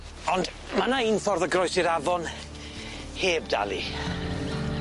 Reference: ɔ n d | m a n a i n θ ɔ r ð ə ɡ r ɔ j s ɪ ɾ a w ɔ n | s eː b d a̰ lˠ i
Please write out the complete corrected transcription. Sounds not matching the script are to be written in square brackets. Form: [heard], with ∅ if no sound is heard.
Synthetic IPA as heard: ɔ n d | m a n a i n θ ɔ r ð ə ɡ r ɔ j s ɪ ɾ a [v] ɔ n | [h] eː b d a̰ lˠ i